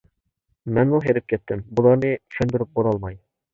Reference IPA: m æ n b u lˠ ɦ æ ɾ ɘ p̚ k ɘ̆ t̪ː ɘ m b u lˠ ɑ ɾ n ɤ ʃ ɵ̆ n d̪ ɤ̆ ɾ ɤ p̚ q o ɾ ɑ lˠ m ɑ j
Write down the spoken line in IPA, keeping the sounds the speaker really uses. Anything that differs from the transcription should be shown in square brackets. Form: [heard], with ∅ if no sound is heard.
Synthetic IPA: m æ n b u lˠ ɦ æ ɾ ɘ p̚ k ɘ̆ t̪ː ɘ m b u lˠ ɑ ɾ n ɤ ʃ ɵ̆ n d̪ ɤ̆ ɾ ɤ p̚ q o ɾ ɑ lˠ m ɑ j